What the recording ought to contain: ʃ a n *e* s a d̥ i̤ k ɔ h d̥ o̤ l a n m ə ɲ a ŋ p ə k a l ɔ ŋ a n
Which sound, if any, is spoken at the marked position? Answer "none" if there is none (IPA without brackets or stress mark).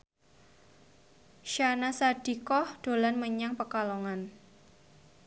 a